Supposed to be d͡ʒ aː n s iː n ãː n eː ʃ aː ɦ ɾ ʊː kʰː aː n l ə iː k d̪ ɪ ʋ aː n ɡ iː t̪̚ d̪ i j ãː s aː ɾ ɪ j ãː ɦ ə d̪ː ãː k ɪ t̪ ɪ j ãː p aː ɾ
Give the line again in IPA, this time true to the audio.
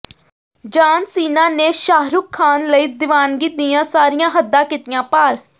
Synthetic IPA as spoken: d͡ʒ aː n s iː n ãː n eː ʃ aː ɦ ɾ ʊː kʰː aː n l ə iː d̪ ɪ ʋ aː n ɡ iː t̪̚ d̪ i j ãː s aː ɾ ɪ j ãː ɦ ə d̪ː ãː k ɪ t̪ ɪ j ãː p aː ɾ